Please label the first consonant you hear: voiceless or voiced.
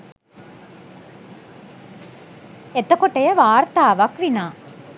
voiceless